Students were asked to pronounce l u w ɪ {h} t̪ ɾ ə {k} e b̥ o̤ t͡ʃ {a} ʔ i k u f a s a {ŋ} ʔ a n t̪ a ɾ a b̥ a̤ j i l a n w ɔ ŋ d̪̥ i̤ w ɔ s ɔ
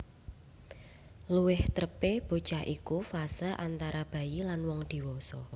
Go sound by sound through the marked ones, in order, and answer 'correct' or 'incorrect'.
correct, incorrect: p, correct, incorrect: none

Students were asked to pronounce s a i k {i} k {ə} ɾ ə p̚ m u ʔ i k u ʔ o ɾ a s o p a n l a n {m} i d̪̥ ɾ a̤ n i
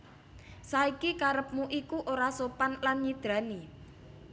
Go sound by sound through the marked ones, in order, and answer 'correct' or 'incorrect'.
correct, incorrect: a, incorrect: ɲ

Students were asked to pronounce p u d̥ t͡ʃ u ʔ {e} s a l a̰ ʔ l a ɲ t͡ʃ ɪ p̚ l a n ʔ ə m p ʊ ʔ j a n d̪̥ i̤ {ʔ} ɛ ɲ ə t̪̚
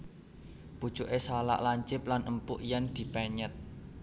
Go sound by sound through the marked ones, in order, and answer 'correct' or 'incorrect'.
correct, incorrect: p

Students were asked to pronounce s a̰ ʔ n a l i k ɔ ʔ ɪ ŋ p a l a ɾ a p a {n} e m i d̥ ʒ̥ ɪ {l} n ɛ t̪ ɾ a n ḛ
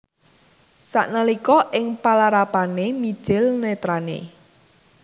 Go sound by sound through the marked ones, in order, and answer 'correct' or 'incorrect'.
correct, correct

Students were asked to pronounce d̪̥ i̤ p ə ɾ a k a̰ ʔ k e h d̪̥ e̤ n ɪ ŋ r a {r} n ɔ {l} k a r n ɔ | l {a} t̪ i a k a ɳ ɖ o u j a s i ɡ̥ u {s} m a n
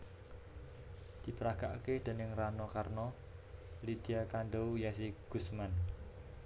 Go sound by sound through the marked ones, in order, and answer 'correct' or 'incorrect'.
incorrect: none, incorrect: none, incorrect: i, correct

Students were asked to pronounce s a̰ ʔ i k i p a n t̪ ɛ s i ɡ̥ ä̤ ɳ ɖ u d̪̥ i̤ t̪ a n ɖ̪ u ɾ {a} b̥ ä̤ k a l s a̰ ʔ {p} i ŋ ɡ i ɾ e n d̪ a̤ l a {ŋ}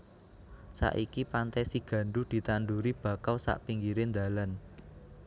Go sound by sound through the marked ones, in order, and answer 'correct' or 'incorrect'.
incorrect: i, correct, incorrect: n

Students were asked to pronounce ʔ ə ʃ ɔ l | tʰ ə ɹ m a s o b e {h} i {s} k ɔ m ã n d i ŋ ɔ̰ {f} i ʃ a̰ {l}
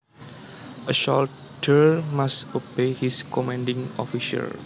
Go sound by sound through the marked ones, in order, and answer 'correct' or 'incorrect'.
correct, correct, correct, correct

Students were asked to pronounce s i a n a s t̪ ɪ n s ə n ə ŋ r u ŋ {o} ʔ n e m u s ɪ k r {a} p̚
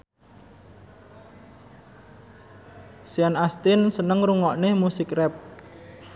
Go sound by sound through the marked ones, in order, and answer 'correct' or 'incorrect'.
incorrect: ɔ, incorrect: ɛ

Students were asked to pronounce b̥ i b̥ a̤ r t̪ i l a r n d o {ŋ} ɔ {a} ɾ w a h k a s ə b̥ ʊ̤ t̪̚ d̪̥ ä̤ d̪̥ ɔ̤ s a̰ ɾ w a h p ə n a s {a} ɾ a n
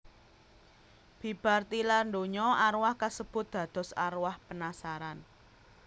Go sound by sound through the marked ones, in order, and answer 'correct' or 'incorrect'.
incorrect: ɲ, correct, correct

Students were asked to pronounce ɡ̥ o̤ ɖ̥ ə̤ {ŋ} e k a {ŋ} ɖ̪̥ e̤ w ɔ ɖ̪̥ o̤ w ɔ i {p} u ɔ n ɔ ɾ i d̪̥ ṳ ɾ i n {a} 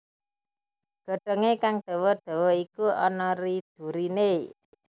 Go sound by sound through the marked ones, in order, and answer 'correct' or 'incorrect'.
correct, correct, incorrect: k, incorrect: e

